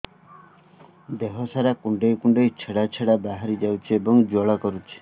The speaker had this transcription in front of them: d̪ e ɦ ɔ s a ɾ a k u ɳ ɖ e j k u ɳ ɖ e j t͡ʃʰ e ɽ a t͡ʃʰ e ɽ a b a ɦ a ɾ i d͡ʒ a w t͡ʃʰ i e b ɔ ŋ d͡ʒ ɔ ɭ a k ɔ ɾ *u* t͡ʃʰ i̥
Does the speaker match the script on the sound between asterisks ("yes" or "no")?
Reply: yes